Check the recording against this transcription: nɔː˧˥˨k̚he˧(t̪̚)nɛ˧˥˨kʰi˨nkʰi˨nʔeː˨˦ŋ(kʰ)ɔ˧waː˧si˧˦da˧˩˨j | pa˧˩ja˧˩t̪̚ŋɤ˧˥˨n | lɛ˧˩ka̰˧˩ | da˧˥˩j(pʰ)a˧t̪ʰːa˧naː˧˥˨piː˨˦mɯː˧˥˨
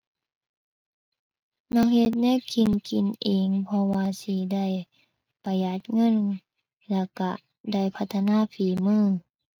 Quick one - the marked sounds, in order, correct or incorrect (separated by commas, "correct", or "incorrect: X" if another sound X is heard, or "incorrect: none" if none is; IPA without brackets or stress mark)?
correct, incorrect: pʰ, correct